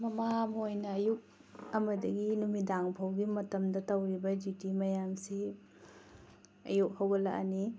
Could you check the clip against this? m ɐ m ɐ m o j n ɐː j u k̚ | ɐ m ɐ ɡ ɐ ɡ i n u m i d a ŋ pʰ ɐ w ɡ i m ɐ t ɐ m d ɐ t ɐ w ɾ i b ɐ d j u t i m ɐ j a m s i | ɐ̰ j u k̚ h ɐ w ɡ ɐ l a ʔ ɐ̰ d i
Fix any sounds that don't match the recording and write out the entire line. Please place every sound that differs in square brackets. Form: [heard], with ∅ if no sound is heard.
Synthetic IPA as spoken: m ɐ m [a] m o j n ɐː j u k̚ | ɐ m ɐ [d] ɐ ɡ i n u m i d a ŋ pʰ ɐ w ɡ i m ɐ t ɐ m d ɐ t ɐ w ɾ i b ɐ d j u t i m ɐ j a m s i | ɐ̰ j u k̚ h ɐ w ɡ ɐ l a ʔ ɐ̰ [n] i